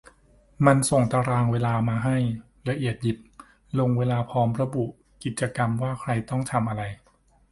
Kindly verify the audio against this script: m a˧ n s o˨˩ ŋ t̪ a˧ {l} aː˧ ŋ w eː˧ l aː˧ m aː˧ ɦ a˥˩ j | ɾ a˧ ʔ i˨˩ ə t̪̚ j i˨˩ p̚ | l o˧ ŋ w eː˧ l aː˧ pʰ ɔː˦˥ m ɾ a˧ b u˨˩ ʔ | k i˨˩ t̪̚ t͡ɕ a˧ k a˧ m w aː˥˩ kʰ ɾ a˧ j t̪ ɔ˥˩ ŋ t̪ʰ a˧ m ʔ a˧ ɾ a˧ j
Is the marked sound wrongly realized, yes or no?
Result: yes